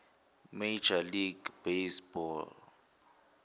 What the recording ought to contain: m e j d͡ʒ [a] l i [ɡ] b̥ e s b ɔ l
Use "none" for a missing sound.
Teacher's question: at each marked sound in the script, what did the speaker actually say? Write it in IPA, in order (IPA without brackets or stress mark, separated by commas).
a, ɡ